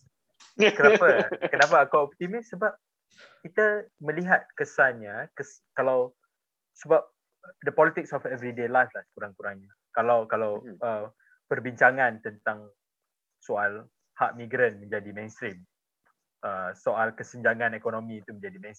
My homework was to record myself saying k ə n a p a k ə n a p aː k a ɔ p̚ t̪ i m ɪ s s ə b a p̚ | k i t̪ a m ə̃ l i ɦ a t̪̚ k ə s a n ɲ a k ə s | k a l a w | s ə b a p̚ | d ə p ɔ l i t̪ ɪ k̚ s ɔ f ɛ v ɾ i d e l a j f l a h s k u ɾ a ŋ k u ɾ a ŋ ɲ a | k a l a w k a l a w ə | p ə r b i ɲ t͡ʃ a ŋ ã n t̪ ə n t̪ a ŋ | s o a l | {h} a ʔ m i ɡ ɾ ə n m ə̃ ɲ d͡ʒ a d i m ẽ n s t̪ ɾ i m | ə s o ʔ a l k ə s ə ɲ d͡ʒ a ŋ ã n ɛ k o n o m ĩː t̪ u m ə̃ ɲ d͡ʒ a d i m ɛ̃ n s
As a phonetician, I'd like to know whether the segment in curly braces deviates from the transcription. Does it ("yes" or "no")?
no